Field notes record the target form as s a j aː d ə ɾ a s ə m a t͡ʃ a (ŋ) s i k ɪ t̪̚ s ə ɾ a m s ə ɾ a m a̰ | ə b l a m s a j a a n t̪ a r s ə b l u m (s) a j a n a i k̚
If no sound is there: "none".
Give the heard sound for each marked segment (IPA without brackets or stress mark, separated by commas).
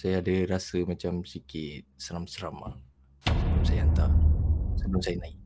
m, s